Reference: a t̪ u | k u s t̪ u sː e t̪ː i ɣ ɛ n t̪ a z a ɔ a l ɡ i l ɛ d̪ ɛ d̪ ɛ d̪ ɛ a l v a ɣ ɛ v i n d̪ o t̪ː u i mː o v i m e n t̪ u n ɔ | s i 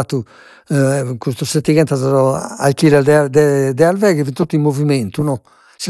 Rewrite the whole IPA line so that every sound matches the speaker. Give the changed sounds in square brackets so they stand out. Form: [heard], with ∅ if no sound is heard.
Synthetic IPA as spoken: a t̪ u | k u s t̪ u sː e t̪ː i ɣ ɛ n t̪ a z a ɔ a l [k] i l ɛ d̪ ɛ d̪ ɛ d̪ ɛ a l v [ɛ] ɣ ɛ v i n [t̪] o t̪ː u i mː o v i m e n t̪ u n ɔ | s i